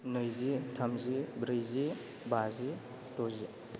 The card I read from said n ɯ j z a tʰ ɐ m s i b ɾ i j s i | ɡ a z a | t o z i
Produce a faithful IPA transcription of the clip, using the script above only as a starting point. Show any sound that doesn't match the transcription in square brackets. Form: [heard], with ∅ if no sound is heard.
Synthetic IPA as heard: n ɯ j z [i] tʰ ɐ m [z] i b ɾ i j [z] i | [b] a z [i] | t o z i